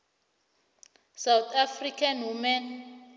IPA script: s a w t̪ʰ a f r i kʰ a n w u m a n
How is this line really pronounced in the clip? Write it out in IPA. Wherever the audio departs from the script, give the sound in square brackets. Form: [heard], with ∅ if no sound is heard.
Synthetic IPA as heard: s a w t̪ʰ a f r i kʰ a n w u m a n